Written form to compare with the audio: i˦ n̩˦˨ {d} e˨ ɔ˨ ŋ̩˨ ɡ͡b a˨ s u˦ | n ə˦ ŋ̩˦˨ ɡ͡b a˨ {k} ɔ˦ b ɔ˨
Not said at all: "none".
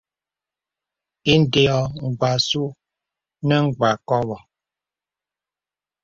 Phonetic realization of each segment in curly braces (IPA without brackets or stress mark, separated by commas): d, k